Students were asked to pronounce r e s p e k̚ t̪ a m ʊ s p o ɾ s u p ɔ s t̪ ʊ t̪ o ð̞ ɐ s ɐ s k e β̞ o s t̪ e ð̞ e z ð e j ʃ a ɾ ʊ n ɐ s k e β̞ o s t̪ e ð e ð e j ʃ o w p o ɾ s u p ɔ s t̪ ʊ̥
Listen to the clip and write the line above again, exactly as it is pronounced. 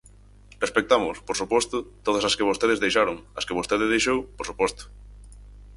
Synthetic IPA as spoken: r e s p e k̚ t̪ a m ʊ s p o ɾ s u p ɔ s t̪ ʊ t̪ o ð̞ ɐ s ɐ s k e β̞ o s t̪ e ð̞ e z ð e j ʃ a ɾ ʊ ŋ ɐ s k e β̞ o s t̪ e ð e ð e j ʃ o w p o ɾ s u p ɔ s t̪ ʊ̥